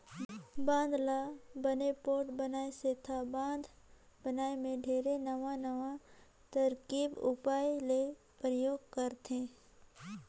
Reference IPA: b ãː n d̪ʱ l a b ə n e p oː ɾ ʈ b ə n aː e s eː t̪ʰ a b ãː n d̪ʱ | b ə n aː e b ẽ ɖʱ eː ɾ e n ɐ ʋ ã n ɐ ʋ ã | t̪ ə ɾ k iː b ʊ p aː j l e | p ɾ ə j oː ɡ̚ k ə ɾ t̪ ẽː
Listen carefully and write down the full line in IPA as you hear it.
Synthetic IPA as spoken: b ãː n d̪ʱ l a b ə n e p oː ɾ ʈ b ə n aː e s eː t̪ʰ a b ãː n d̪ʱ | b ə n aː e m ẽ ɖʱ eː ɾ e n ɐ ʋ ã n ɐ ʋ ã | t̪ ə ɾ k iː b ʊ p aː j l e | p ɾ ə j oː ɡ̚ k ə ɾ t̪ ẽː